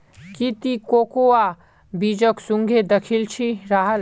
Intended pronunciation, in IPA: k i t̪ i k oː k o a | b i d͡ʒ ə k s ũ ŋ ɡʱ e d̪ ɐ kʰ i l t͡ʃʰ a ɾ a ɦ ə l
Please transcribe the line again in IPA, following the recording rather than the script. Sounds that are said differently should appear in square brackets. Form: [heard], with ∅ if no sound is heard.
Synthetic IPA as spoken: k i t̪ i k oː k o a | b i d͡ʒ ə k s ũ ŋ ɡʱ e d̪ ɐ kʰ i l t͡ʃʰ [i] ɾ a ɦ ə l